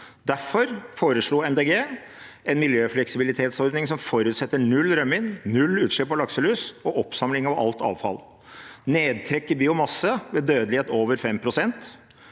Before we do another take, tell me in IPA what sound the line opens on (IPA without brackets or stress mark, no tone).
d̪